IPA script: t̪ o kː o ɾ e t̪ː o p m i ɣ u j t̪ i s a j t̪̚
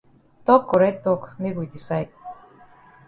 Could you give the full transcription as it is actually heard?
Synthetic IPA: t̪ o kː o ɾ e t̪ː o k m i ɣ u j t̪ i s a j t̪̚